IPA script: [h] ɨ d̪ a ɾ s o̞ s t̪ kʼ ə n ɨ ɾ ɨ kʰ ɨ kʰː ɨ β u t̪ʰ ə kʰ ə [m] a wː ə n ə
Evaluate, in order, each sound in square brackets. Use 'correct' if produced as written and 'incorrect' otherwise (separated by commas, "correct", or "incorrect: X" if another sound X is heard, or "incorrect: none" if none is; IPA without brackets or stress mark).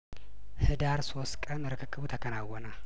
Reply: correct, incorrect: n